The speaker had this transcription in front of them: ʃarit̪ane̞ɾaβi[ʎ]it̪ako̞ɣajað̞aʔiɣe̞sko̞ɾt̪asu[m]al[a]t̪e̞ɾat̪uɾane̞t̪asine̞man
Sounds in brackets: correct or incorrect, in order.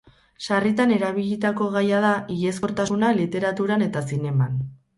correct, incorrect, incorrect

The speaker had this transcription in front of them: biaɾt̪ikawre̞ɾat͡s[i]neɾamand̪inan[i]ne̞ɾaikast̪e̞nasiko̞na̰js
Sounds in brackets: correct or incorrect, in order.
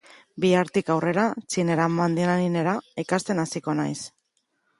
correct, correct

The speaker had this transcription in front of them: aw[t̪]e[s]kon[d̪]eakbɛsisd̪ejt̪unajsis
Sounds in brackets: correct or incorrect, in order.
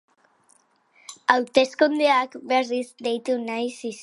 correct, correct, correct

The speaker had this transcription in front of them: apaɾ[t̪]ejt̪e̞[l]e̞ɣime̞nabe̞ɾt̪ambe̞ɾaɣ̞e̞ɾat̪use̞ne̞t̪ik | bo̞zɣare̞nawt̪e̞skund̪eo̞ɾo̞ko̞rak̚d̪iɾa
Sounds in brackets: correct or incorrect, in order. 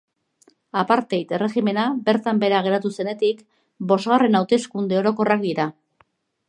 correct, incorrect

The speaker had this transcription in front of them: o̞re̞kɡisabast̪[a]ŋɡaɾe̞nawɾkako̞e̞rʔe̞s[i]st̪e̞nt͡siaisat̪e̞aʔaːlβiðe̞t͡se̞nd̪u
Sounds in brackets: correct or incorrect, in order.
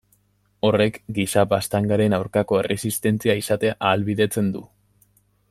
correct, correct

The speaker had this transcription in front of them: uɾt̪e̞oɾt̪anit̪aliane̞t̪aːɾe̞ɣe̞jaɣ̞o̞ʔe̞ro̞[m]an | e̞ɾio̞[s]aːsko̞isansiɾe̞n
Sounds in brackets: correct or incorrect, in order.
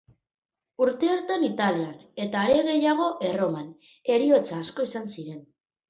correct, incorrect

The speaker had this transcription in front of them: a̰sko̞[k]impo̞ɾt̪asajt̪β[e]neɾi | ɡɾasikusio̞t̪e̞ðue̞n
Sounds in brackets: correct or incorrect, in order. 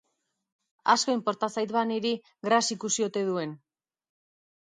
incorrect, incorrect

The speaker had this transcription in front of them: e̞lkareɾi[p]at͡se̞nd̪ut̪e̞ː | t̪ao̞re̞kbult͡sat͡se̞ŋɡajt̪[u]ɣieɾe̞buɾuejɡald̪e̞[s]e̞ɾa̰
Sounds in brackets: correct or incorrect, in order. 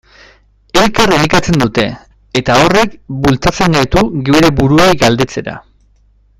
incorrect, correct, incorrect

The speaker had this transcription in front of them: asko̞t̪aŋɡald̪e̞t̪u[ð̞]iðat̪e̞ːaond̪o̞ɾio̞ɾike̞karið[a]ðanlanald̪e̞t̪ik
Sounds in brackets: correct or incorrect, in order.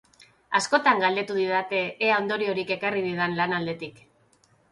correct, incorrect

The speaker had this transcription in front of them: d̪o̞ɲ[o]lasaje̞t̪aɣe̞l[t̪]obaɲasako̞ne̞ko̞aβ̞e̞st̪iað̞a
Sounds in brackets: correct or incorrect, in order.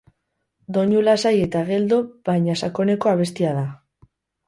incorrect, incorrect

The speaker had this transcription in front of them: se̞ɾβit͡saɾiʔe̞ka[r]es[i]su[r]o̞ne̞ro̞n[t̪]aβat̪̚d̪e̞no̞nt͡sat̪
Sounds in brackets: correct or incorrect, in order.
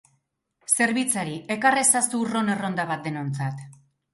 correct, incorrect, correct, incorrect

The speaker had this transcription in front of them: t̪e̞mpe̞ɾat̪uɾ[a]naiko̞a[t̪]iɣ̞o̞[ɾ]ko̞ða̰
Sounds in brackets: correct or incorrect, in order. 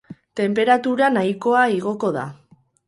correct, incorrect, incorrect

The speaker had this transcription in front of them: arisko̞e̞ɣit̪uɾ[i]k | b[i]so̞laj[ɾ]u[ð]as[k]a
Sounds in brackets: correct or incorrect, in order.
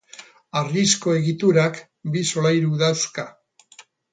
incorrect, correct, correct, correct, correct

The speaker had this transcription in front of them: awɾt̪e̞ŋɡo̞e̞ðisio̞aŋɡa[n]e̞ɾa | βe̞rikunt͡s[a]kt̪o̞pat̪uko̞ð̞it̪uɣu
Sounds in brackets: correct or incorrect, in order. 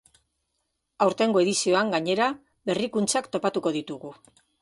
incorrect, correct

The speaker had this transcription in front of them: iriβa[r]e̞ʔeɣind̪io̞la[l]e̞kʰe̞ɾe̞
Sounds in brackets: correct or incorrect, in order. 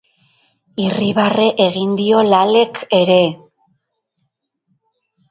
correct, correct

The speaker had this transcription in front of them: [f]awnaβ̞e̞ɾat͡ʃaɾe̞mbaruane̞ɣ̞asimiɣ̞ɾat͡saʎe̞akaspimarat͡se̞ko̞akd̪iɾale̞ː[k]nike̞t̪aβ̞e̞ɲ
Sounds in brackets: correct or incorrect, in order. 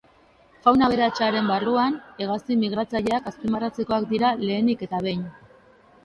correct, incorrect

